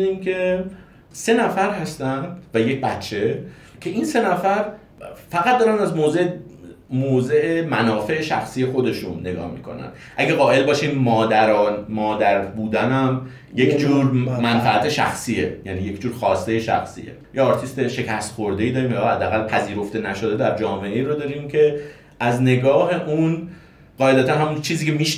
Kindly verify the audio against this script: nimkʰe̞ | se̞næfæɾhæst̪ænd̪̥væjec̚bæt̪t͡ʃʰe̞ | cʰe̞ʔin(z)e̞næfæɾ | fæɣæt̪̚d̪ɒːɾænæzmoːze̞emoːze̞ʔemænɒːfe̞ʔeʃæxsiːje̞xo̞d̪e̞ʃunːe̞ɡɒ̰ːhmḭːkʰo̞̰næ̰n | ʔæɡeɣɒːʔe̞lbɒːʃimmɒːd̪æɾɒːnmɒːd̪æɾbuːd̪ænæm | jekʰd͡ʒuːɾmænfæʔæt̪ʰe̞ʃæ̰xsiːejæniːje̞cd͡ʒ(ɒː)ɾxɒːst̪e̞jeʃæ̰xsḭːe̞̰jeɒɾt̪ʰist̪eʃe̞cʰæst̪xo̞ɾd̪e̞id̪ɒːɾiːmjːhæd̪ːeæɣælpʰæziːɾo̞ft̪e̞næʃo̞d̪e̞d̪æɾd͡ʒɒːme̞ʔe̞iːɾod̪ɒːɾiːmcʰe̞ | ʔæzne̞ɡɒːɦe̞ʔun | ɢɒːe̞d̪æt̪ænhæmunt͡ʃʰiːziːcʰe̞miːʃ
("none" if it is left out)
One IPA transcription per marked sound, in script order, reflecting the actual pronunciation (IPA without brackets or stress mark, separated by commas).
s, uː